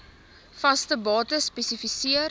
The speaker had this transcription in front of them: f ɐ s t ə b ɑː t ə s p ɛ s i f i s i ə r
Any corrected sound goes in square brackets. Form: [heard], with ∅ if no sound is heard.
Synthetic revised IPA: f ɐ s t ə b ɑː t ə s p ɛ s i f i s i ə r